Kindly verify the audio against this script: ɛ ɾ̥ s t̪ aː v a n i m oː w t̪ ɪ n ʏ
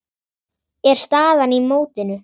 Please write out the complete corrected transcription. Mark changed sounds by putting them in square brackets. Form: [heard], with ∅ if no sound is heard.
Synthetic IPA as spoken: ɛ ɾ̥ s t̪ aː [ð] a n i m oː w t̪ ɪ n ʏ